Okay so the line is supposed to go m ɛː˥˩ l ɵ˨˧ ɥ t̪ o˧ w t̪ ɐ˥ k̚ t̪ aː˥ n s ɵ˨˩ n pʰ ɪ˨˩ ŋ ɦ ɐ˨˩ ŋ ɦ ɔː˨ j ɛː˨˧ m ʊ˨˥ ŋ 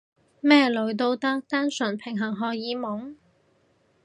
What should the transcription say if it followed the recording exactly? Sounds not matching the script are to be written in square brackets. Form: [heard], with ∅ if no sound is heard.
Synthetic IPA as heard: m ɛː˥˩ l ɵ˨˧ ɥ t̪ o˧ w t̪ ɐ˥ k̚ t̪ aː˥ n s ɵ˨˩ n pʰ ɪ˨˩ ŋ ɦ ɐ˨˩ ŋ ɦ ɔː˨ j [iː˨˧] m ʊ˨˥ ŋ